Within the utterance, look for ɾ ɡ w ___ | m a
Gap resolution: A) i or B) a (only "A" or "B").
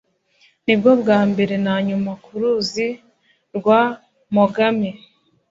B